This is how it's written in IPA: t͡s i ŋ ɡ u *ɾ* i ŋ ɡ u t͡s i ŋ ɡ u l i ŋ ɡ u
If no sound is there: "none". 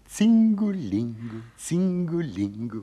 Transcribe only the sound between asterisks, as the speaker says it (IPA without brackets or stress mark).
l